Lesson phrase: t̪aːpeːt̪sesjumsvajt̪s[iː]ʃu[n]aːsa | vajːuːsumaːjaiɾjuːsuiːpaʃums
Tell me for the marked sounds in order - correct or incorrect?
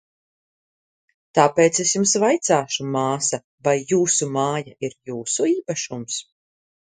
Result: incorrect, incorrect

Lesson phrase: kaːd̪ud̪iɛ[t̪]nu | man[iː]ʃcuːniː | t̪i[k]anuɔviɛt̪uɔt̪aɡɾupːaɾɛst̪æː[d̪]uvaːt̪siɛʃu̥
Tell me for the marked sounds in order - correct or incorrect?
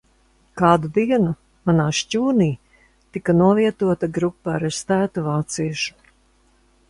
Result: incorrect, incorrect, correct, incorrect

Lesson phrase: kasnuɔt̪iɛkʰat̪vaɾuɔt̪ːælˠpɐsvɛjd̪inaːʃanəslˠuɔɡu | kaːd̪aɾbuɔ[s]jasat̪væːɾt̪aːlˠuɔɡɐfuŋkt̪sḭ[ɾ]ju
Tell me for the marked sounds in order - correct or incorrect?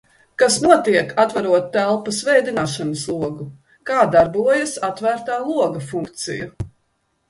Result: incorrect, incorrect

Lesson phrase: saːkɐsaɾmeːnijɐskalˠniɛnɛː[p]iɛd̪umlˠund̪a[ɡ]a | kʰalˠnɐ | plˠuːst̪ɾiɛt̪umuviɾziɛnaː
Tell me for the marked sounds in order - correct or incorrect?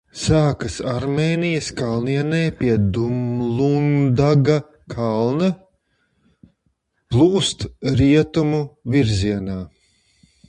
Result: correct, correct

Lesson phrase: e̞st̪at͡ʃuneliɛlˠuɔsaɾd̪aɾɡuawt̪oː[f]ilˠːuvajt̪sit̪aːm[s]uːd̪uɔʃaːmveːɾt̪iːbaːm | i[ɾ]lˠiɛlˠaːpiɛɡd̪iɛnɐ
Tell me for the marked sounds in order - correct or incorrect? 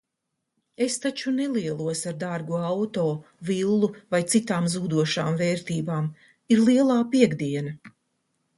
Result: incorrect, incorrect, correct

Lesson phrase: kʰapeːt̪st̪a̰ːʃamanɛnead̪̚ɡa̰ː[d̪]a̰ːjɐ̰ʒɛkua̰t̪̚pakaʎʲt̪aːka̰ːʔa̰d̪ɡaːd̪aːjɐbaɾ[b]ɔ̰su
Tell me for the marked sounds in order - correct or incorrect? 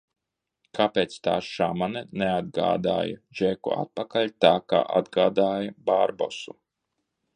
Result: correct, correct

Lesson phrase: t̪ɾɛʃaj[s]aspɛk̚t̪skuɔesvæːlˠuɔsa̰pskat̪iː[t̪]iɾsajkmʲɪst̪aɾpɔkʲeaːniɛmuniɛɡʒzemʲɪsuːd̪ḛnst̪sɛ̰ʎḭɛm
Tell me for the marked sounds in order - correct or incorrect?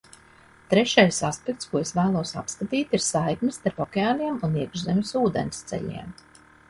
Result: correct, correct

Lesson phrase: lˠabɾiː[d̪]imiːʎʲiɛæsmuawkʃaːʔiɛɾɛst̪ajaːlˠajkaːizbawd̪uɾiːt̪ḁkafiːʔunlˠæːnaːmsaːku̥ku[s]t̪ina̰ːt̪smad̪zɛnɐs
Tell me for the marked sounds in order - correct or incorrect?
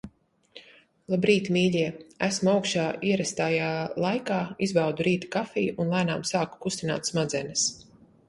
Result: incorrect, correct

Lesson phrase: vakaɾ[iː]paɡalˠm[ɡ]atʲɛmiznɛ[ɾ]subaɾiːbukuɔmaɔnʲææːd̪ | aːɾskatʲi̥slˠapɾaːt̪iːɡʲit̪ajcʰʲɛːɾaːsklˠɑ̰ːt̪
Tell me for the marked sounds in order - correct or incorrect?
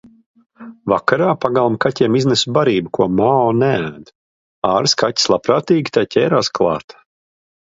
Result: incorrect, incorrect, incorrect

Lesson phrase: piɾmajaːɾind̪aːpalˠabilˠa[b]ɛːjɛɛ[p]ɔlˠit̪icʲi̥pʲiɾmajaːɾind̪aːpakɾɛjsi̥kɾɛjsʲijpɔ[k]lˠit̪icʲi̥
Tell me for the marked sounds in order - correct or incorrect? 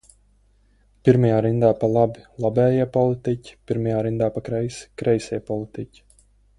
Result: correct, correct, incorrect

